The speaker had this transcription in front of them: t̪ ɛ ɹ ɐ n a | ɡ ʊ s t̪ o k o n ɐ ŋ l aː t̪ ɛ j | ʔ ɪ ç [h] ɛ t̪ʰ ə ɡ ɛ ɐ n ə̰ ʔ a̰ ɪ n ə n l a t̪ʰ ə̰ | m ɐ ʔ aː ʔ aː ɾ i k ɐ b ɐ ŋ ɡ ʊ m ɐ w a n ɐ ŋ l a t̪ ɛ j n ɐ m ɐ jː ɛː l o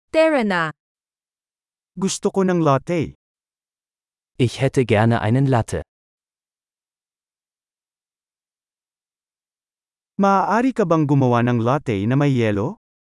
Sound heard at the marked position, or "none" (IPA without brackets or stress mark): h